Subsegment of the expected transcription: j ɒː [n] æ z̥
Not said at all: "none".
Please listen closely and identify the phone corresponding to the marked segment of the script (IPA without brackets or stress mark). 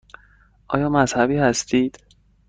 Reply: m